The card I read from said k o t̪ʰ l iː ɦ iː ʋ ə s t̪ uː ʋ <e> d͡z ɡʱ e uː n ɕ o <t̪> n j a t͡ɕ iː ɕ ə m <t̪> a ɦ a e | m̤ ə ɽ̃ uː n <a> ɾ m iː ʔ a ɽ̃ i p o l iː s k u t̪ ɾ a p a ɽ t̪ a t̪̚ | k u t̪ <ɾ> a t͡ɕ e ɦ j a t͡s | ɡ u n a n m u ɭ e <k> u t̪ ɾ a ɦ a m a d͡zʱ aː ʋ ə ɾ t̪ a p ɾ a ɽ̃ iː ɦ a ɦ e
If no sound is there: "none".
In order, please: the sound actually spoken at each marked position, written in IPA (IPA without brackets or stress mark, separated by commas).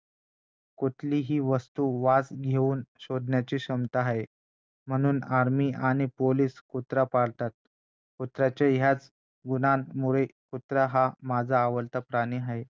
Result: a, d̪, t̪, a, ɾ, k